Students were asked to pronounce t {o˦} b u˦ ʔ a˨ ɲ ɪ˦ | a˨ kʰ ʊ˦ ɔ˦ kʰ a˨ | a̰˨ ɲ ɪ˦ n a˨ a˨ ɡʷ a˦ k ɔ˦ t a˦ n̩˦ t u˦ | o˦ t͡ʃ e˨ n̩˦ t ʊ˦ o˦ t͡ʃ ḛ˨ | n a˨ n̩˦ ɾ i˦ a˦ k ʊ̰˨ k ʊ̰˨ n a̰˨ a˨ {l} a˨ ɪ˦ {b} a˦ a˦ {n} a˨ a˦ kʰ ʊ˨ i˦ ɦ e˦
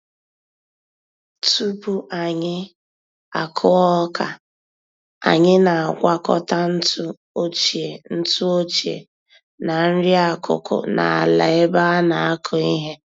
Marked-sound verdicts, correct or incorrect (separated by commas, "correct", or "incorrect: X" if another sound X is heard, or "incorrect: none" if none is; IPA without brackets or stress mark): incorrect: u˦, correct, correct, correct